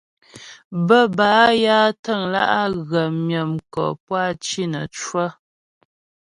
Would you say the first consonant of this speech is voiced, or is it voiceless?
voiced